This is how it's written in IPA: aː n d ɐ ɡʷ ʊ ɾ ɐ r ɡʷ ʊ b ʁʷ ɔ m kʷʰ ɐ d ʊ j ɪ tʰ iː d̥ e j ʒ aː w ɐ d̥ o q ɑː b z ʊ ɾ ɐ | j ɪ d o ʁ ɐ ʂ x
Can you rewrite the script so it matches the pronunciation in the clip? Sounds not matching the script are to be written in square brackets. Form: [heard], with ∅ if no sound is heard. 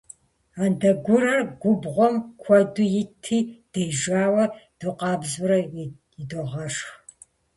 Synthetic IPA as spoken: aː n d ɐ ɡʷ ʊ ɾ ɐ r ɡʷ ʊ b ʁʷ ɔ m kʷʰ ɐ d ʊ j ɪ tʰ iː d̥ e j ʒ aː w ɐ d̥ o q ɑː b z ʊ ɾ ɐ | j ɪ d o ʁ ɐ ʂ x